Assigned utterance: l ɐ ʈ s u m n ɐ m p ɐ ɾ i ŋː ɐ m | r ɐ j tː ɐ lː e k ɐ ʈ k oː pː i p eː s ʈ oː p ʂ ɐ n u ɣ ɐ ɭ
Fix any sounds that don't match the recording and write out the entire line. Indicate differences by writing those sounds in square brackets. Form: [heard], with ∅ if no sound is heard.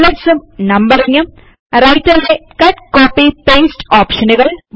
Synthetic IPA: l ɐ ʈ s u m n ɐ m [b] ɐ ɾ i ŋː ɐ m | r ɐ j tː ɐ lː e k ɐ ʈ k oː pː i p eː s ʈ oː p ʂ ɐ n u ɣ ɐ ɭ